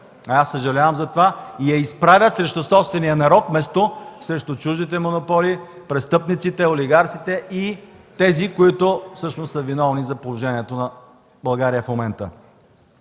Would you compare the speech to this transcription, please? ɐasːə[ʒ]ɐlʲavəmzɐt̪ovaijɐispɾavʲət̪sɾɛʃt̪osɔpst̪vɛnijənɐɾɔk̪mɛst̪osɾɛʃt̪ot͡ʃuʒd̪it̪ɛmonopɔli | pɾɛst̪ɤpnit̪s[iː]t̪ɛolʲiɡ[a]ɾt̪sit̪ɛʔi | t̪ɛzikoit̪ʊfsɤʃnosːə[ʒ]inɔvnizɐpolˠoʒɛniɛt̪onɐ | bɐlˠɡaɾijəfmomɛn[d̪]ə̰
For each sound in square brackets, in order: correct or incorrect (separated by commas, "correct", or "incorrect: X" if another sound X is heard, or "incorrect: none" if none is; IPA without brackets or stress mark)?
correct, incorrect: i, correct, incorrect: v, incorrect: t̪